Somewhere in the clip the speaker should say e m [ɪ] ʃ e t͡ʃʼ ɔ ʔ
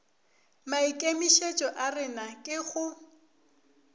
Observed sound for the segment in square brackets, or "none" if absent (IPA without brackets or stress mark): i